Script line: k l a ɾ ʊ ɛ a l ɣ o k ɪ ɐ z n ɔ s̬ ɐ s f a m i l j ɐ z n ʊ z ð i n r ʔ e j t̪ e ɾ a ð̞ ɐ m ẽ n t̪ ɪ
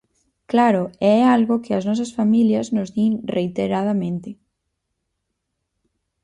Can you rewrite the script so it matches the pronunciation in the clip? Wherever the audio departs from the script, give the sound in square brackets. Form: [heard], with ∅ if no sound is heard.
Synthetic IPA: k l a ɾ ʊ ɛ a l ɣ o k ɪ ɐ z n ɔ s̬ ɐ s f a m i l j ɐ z n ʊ z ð i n r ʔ e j t̪ e ɾ a ð̞ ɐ m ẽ n t̪ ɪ